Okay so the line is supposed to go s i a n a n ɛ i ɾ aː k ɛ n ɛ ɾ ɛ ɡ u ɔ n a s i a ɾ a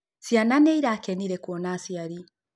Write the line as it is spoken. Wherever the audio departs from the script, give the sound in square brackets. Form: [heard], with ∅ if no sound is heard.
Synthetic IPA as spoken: s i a n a n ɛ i ɾ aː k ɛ n [i] ɾ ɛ [k] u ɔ n a s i a ɾ [i]